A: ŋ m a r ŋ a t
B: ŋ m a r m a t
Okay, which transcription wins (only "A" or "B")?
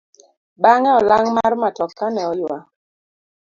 B